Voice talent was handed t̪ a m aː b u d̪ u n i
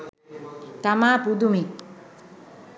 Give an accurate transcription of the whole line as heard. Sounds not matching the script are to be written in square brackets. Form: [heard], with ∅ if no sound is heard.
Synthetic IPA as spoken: t̪ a m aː [p] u d̪ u [m] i